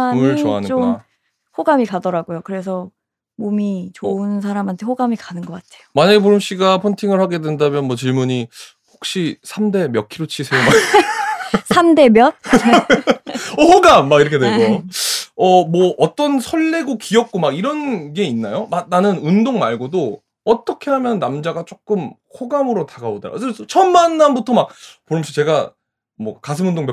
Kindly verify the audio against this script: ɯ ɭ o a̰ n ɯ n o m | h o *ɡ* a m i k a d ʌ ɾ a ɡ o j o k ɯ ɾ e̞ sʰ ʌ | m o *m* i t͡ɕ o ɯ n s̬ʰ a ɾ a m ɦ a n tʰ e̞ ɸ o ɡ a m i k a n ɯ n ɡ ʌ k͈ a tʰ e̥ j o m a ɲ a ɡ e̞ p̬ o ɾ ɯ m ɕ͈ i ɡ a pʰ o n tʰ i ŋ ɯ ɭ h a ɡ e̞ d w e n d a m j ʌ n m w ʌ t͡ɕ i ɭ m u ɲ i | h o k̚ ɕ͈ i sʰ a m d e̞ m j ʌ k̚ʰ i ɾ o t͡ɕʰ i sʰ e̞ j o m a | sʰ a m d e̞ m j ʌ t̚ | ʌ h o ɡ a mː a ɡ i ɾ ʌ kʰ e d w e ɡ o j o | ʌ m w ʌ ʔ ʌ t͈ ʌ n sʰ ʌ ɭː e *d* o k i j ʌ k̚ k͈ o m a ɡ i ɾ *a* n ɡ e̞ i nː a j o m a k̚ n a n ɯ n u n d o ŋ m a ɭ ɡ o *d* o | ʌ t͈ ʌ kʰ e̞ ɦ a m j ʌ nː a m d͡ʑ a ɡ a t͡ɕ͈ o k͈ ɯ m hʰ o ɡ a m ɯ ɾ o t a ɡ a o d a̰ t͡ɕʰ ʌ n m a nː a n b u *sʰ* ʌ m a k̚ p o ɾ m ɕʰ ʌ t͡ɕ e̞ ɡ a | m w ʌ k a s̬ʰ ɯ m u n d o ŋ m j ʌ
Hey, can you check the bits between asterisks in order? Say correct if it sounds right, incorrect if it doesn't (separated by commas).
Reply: correct, correct, incorrect, incorrect, correct, incorrect